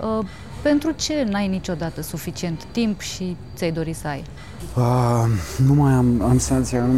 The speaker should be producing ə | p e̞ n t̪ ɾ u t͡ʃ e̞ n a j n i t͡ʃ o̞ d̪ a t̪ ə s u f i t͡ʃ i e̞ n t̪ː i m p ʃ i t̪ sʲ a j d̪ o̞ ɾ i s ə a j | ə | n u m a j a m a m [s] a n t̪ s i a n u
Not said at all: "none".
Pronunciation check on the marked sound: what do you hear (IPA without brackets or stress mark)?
s